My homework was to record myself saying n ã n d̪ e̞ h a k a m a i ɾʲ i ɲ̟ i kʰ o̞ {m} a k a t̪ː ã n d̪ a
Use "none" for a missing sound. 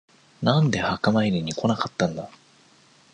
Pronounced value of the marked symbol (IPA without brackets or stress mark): n